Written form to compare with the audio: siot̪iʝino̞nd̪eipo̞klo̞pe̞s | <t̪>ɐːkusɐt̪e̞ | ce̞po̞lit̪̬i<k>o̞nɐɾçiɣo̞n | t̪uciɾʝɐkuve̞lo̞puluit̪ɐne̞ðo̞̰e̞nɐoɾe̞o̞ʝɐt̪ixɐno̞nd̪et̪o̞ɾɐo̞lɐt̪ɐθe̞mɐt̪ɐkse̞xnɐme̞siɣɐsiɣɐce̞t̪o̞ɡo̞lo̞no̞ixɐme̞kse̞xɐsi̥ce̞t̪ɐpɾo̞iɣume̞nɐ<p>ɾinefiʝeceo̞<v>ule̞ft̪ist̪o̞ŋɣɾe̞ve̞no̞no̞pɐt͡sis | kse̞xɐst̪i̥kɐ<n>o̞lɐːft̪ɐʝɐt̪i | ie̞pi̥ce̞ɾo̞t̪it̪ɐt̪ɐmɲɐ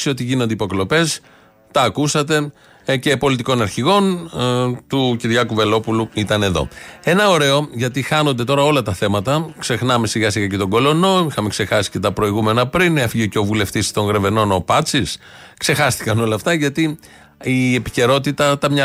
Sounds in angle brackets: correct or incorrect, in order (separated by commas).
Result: correct, correct, correct, correct, correct